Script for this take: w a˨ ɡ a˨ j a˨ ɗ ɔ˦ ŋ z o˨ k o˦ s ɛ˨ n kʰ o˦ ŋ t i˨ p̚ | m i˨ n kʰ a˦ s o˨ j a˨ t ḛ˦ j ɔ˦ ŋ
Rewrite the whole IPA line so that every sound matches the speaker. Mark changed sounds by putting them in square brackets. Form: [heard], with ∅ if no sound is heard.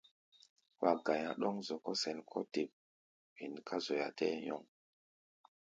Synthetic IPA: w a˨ ɡ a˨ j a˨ ɗ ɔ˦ ŋ z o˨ k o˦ s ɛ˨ n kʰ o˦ [∅] t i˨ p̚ | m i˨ n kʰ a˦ [z] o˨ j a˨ t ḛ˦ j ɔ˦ ŋ